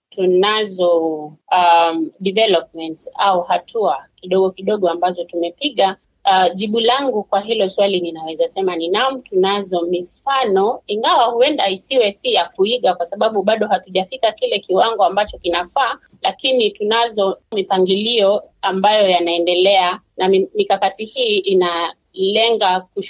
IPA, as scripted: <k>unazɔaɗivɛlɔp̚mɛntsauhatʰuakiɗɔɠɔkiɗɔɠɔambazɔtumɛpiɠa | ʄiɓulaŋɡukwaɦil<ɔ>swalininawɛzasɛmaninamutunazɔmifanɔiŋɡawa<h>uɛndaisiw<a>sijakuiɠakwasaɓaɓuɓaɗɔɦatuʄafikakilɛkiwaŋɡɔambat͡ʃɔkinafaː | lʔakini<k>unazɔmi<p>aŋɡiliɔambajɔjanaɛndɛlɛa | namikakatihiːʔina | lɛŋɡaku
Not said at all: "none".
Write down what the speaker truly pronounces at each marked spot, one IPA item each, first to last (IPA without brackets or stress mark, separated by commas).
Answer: t, ɔ, h, ɛ, t, p